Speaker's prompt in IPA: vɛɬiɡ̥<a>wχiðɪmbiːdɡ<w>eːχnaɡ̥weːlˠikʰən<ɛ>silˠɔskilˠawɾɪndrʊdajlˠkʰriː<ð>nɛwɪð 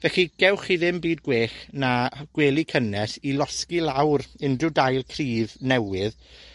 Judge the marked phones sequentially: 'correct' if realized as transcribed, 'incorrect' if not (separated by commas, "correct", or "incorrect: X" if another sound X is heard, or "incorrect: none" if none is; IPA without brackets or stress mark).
incorrect: ɛ, correct, correct, incorrect: v